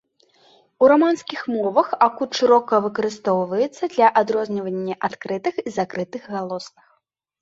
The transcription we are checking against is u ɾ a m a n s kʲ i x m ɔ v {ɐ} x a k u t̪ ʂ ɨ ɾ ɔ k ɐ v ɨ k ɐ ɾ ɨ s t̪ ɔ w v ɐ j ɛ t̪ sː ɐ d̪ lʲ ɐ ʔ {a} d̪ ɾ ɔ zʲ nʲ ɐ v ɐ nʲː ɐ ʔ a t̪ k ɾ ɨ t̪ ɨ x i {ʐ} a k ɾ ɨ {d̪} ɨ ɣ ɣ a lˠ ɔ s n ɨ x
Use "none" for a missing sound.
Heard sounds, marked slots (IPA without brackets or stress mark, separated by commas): ɐ, a, z, t̪